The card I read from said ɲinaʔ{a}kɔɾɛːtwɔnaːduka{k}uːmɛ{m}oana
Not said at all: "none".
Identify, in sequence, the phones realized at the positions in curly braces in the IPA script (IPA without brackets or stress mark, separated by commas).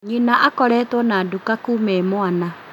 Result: a, k, m